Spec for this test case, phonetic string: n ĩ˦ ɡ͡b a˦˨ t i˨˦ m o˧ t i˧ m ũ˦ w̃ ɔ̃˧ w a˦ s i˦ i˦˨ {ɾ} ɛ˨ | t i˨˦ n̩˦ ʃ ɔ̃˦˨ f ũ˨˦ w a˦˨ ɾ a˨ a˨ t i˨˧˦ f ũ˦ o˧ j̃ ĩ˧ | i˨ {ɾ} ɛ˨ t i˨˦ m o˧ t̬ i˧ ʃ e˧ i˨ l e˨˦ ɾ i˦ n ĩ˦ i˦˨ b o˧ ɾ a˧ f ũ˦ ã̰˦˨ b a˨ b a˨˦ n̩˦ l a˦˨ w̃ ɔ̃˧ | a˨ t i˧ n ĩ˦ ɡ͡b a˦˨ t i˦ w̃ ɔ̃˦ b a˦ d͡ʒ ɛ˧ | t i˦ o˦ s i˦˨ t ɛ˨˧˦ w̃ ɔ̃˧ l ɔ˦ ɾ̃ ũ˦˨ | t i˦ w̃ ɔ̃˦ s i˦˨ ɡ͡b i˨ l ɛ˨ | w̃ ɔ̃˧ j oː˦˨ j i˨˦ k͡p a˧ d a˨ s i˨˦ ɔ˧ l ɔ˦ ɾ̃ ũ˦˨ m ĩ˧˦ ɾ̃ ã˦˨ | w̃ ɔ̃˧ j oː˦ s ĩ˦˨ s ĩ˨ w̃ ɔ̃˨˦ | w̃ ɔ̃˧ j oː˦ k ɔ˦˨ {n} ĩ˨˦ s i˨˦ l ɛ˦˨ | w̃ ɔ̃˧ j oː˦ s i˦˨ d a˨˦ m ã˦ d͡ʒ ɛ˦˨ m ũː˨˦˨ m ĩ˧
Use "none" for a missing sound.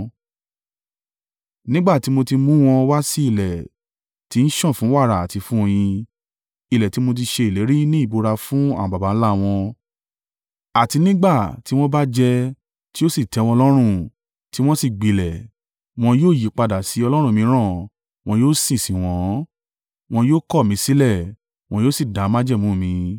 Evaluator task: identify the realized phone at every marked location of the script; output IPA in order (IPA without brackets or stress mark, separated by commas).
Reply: l, l, m